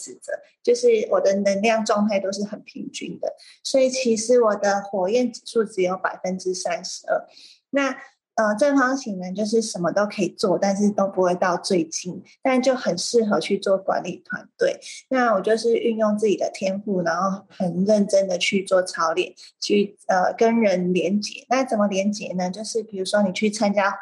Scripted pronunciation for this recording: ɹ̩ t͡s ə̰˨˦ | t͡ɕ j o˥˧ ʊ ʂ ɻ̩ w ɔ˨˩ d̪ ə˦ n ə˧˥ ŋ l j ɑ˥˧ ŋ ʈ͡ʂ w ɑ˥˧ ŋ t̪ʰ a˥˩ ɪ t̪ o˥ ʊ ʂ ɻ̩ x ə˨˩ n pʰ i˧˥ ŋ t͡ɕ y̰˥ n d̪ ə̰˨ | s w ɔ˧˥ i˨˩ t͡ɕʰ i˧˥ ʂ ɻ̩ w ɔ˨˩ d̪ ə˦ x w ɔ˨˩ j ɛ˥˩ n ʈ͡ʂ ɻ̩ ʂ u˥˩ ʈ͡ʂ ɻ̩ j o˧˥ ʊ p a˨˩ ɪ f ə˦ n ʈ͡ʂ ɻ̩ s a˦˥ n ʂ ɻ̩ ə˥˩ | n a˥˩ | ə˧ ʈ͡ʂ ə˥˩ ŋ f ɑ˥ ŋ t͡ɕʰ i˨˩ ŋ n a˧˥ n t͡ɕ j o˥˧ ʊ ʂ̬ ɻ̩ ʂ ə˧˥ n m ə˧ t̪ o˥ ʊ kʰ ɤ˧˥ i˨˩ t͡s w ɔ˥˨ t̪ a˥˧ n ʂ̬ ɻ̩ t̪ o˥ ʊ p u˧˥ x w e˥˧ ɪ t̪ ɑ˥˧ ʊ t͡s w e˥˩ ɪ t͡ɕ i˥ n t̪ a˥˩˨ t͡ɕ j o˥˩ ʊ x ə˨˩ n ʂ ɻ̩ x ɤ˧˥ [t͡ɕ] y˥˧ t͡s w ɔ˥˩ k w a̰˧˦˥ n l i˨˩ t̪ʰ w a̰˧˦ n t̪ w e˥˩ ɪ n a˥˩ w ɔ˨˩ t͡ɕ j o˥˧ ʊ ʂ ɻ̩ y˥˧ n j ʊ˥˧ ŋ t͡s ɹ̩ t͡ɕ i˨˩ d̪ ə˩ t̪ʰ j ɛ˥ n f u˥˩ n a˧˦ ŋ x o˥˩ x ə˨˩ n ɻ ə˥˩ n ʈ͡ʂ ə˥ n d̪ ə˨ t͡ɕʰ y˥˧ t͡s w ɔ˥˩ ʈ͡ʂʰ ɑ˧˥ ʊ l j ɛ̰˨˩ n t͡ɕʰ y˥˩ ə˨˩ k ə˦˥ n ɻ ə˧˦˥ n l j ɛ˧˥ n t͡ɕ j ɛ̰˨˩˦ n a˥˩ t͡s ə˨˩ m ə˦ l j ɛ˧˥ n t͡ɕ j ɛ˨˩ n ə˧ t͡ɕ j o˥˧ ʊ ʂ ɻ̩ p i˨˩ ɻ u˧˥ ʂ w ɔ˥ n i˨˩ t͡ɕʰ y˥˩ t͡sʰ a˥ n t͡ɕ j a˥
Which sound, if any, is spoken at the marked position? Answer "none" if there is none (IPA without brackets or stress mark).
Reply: t͡ɕʰ